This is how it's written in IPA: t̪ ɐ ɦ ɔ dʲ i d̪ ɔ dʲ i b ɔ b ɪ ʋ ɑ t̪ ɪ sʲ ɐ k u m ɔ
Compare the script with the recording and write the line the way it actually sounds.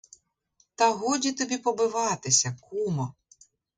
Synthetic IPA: t̪ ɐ ɦ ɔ dʲ i t̪ ɔ bʲ i p ɔ b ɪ ʋ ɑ t̪ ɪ sʲ ɐ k u m ɔ